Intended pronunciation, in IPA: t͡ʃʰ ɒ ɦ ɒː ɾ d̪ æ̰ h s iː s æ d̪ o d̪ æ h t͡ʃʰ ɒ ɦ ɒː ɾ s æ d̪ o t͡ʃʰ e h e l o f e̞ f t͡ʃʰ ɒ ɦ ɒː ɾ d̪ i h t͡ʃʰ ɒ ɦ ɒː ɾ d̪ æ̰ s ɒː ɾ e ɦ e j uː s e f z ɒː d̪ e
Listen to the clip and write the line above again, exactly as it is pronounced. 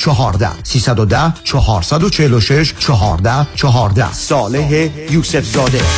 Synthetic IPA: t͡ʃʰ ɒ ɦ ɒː ɾ d̪ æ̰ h s iː s æ d̪ o d̪ æ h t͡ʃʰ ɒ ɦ ɒː ɾ s æ d̪ o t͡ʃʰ e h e l o ʃ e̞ ʃ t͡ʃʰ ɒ ɦ ɒː ɾ d̪ æ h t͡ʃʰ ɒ ɦ ɒː ɾ d̪ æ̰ s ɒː l e ɦ e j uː s e f z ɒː d̪ e